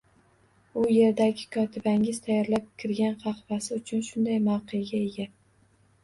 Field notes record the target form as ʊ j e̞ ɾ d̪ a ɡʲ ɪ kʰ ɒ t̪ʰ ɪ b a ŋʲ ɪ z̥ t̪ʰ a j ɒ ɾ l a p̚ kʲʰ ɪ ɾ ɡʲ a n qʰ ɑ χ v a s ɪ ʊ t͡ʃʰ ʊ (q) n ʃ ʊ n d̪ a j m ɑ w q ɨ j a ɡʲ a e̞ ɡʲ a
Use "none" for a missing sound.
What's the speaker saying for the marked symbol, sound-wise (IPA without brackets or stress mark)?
none